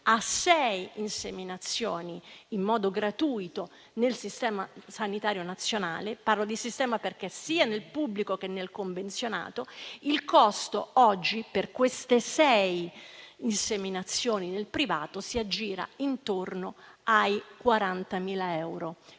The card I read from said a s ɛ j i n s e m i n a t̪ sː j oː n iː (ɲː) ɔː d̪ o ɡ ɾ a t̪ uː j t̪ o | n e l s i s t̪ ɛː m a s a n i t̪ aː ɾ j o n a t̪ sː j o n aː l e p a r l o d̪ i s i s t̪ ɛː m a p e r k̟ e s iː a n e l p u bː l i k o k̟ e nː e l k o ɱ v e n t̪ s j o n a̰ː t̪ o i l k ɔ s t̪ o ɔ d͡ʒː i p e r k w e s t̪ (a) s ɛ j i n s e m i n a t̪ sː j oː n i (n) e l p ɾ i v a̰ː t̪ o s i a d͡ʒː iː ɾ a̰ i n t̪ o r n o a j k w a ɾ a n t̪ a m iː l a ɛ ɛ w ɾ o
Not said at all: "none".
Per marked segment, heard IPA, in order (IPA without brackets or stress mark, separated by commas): mː, e, n